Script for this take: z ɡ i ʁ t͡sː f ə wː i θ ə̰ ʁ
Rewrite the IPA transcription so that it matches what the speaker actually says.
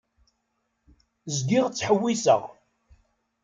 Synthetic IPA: z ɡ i ʁ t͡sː ħ ə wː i s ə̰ ʁ